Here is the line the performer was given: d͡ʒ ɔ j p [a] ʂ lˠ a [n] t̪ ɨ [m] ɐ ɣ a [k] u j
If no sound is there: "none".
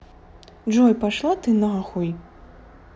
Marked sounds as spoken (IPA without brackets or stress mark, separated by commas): a, none, n, x